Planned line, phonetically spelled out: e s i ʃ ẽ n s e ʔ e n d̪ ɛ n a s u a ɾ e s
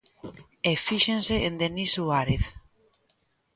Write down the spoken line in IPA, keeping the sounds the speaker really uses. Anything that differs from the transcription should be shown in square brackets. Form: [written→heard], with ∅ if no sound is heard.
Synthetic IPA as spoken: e [s→f] i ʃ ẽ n s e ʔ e n d̪ [ɛ→e] n [a→i] s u a ɾ e [s→θ]